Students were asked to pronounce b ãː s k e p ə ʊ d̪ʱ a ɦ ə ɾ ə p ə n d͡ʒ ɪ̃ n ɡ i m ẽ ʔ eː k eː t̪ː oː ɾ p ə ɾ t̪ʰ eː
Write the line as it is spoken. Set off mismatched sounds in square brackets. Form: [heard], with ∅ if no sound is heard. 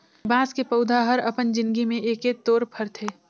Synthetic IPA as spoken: b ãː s k e p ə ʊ d̪ʱ a ɦ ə ɾ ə p ə n d͡ʒ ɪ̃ n ɡ i m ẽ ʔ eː k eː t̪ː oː ɾ [pʰ] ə ɾ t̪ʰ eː

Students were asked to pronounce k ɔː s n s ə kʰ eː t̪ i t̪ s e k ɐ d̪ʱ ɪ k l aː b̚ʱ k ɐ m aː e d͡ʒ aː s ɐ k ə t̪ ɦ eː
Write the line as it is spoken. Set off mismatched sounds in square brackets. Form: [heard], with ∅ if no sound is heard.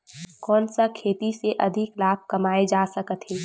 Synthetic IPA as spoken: k ɔː [∅] n s [a] kʰ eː t̪ i [∅] s e [ʔ] ɐ d̪ʱ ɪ k l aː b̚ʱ k ɐ m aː e d͡ʒ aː s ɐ k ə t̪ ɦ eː

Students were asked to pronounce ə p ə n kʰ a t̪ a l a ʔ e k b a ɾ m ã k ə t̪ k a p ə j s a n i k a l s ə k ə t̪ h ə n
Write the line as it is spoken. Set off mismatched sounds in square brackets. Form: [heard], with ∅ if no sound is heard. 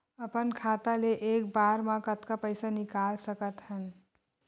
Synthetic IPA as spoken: ə p ə n kʰ a t̪ a l [e] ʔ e k b a ɾ m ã k ə t̪ k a p ə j s a n i k a l s ə k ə t̪ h ə n

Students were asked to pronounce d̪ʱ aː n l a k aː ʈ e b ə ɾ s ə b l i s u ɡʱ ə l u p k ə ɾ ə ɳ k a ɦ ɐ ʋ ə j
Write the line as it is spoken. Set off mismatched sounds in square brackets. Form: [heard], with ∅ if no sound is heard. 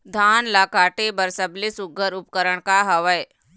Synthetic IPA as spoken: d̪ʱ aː n l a k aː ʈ e b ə ɾ s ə b l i s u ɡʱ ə [ɾ] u p k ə ɾ ə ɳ k a ɦ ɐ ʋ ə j

